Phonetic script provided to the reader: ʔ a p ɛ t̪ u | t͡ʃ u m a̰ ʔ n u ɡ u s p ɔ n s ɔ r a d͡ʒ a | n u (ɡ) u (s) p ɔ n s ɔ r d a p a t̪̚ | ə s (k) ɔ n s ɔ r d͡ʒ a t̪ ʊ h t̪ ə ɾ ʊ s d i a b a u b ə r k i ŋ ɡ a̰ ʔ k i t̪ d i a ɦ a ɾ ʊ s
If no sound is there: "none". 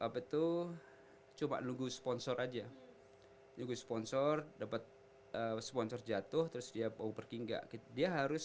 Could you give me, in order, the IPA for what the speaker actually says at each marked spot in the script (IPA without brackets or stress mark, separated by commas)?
ɡ, s, p